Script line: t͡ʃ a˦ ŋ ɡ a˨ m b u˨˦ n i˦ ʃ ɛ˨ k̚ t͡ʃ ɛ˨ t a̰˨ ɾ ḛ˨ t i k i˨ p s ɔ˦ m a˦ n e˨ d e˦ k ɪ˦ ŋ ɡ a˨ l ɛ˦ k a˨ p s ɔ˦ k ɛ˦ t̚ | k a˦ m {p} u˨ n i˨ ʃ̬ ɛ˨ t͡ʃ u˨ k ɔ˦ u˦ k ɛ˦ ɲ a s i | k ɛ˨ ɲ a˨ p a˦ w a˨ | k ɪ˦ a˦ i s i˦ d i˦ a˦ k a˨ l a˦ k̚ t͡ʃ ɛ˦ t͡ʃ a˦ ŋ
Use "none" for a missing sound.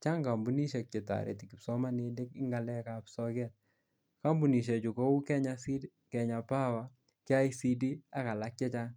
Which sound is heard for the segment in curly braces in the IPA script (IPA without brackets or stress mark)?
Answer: b